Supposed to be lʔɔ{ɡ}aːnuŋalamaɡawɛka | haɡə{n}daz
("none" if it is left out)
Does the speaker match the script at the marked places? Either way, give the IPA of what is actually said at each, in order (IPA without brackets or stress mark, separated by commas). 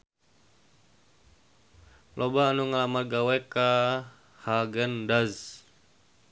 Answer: b, n